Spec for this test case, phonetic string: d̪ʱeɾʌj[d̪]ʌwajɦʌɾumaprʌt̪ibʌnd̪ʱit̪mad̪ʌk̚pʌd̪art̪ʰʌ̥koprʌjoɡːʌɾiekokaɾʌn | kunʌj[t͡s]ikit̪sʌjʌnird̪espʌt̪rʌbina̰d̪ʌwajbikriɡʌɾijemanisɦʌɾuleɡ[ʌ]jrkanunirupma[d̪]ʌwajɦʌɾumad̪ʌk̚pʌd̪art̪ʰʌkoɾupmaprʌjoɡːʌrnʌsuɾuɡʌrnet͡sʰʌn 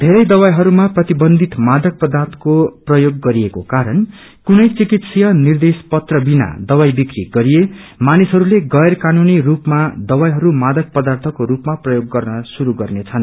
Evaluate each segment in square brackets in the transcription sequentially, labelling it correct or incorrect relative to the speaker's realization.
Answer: correct, correct, correct, correct

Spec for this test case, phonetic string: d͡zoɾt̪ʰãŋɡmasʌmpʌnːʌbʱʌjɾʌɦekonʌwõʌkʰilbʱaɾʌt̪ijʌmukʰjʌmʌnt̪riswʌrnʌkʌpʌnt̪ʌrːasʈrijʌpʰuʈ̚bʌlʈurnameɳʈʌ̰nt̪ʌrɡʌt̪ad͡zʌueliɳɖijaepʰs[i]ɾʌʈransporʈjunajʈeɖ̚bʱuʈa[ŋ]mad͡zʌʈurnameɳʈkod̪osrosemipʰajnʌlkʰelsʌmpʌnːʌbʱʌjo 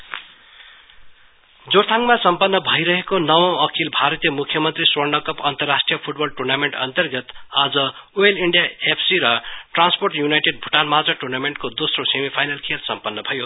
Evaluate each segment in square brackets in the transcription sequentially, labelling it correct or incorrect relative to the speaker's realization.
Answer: correct, incorrect: n

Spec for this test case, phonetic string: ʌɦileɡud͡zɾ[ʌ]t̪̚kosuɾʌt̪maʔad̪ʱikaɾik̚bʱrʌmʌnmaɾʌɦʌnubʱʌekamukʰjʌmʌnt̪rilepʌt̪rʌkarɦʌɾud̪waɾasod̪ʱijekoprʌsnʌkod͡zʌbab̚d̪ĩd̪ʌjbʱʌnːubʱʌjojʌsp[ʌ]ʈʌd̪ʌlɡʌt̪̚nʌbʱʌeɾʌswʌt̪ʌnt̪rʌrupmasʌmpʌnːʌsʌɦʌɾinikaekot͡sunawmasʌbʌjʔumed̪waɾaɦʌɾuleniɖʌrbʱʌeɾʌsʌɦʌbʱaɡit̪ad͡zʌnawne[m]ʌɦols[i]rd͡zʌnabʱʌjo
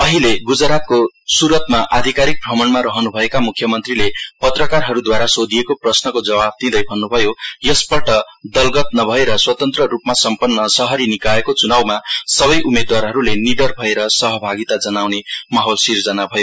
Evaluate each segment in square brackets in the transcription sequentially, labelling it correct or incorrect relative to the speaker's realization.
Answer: incorrect: a, correct, correct, correct

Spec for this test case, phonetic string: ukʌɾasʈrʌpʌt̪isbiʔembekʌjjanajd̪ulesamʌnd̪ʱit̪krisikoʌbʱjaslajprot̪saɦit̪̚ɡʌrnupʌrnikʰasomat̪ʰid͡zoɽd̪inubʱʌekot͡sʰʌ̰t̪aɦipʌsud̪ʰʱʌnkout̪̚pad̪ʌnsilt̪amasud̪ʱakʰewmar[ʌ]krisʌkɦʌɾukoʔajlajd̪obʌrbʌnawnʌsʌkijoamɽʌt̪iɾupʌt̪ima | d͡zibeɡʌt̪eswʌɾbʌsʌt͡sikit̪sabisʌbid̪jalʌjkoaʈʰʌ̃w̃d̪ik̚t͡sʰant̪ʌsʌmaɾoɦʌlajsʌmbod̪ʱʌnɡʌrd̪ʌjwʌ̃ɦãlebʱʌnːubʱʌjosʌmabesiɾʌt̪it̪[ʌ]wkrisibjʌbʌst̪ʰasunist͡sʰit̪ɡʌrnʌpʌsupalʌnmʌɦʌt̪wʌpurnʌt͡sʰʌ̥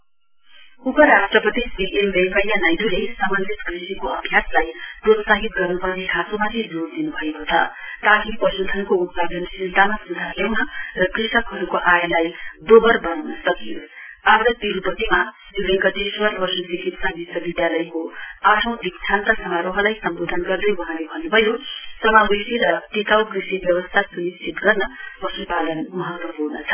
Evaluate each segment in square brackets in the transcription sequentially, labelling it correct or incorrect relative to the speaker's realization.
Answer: correct, incorrect: a

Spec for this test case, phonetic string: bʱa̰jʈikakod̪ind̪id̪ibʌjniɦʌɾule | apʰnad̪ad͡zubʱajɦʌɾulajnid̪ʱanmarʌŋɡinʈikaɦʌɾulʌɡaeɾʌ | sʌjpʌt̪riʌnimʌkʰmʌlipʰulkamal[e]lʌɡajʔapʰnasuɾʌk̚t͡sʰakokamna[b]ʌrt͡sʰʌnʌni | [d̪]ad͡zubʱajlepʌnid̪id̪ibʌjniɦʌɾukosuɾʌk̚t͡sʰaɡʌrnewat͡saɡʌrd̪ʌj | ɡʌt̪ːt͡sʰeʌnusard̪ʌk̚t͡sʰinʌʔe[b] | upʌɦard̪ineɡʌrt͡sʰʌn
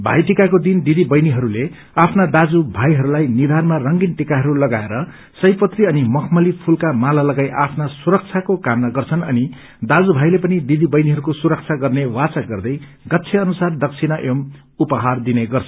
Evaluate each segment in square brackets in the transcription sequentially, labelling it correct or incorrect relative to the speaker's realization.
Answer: incorrect: a, incorrect: ɡ, correct, incorrect: m

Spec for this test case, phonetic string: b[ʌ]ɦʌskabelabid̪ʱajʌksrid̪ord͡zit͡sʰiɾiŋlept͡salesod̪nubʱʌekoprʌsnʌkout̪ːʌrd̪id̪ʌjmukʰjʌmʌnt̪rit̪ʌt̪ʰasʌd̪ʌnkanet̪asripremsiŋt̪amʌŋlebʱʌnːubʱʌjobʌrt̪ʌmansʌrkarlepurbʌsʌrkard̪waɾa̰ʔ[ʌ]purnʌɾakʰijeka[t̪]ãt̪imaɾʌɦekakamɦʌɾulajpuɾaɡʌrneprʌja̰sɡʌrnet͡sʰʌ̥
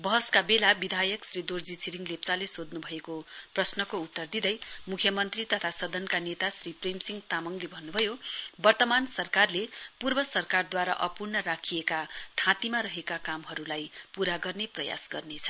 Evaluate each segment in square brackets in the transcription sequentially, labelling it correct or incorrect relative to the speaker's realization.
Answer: correct, correct, incorrect: t̪ʰ

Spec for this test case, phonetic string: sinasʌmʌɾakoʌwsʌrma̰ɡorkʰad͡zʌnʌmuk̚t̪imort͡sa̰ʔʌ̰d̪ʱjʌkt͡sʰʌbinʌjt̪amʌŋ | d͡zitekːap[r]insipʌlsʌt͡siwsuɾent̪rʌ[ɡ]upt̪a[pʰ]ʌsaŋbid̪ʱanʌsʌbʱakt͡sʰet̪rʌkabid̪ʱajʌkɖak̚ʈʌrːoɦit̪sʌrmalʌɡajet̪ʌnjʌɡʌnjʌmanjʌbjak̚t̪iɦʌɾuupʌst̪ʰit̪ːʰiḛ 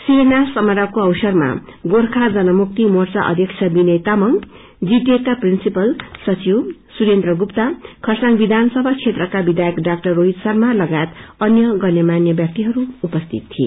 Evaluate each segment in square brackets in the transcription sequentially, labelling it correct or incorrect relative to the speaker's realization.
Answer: correct, correct, incorrect: kʰ

